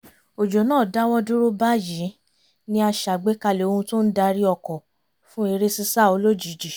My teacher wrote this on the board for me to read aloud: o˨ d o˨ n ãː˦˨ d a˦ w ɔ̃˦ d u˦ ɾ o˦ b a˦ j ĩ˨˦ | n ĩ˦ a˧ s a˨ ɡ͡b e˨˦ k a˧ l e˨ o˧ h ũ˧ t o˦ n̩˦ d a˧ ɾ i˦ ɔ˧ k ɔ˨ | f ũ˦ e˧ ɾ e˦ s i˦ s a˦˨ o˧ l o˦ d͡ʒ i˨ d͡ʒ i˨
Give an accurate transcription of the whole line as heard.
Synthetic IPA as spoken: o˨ d͡ʒ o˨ n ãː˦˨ d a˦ w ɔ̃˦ d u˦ ɾ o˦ b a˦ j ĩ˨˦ | n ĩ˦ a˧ ʃ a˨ ɡ͡b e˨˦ k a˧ l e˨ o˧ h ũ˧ t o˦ n̩˦ d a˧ ɾ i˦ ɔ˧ k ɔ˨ | f ũ˦ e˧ ɾ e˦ s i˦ s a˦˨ o˧ l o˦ d͡ʒ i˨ d͡ʒ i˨